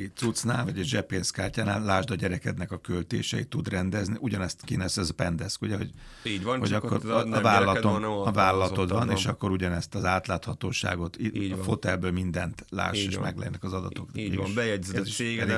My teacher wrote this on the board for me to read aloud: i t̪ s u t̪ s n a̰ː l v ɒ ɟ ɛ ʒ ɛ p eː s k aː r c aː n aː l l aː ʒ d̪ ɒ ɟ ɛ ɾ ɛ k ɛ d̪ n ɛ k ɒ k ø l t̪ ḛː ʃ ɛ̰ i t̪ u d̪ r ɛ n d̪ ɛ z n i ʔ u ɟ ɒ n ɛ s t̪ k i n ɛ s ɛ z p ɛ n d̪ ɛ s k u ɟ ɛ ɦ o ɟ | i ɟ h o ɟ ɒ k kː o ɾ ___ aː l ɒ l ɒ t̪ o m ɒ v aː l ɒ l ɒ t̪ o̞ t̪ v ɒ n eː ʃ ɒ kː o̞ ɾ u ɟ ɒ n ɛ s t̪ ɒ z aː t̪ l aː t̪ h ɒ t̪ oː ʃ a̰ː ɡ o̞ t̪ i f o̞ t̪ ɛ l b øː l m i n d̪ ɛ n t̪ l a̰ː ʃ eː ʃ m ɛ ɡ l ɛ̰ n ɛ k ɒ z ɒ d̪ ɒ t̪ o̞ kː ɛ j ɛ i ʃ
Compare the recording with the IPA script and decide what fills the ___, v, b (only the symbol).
v